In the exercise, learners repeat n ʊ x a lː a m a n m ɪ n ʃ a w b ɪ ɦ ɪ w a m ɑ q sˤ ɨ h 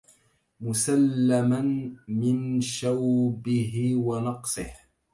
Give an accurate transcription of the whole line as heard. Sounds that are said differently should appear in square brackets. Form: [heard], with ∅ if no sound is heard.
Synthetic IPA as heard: [m] ʊ [s] a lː a m a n m ɪ n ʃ a w b ɪ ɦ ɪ w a [n] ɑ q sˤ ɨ h